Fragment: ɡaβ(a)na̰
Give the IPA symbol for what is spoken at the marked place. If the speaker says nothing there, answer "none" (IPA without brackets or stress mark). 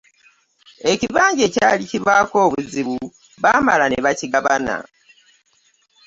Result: a